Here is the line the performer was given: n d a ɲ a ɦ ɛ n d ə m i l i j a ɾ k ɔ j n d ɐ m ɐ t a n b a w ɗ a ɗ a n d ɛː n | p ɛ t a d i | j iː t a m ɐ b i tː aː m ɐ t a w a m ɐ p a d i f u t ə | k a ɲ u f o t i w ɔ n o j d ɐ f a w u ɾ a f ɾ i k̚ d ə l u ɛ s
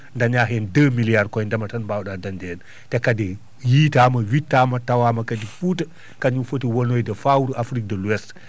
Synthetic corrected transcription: n d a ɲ a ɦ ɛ n d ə m i l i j a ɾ k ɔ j n d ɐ m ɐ t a n b a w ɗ a d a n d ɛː n | t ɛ k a d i | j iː t a m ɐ w i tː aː m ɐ t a w a m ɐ k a d i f u t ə | k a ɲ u f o t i w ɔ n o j d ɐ f a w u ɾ a f ɾ i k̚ d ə l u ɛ s